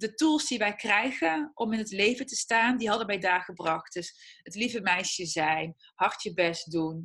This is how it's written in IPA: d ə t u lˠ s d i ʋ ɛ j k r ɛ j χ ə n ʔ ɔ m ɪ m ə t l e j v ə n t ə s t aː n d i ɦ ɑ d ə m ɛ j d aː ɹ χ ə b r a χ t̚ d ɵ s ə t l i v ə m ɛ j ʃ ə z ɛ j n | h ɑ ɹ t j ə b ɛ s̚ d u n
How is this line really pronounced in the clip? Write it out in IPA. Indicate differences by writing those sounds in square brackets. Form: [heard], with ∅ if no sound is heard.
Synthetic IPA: d ə t u lˠ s d i ʋ ɛ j k r ɛ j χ ə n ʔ ɔ m ɪ [n] ə t l e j v ə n t ə s t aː n d i ɦ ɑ d ə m ɛ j d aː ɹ χ ə b r [ɑ] χ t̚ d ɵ s ə t l i v ə m ɛ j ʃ ə z ɛ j n | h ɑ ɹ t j ə b ɛ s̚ d u n